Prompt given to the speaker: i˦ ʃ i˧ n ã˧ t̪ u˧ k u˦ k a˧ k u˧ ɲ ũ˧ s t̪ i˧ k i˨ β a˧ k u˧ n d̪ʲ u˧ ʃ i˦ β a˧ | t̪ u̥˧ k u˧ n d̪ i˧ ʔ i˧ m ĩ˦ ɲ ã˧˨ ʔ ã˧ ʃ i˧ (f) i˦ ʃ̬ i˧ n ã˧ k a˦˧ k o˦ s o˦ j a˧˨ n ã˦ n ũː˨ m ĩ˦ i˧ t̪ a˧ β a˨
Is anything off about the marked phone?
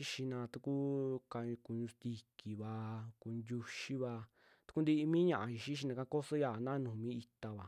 yes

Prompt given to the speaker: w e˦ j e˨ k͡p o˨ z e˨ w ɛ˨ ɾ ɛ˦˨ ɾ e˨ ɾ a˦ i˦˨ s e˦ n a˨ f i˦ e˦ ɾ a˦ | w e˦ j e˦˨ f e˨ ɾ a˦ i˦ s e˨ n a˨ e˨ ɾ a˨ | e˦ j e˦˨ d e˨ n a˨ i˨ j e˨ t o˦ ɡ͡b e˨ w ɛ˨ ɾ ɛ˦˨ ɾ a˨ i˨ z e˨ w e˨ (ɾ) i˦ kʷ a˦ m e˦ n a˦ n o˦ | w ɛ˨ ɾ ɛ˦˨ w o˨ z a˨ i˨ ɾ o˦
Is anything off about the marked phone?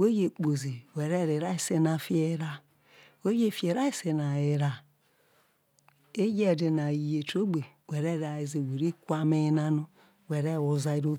no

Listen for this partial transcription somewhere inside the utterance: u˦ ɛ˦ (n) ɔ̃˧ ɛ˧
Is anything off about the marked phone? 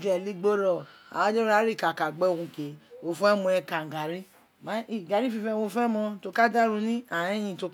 yes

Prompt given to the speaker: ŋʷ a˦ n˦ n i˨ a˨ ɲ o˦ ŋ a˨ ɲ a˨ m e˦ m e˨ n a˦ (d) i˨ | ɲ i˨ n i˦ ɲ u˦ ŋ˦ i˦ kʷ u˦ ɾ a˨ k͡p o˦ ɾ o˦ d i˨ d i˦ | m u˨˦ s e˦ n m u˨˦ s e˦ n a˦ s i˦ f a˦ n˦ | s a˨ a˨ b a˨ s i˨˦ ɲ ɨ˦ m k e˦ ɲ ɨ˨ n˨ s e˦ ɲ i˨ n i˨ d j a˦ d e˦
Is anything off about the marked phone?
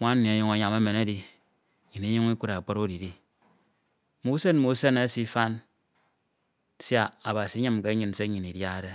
no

